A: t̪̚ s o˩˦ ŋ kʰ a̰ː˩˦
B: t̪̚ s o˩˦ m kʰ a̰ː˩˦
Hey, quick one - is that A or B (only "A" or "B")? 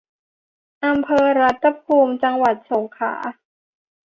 A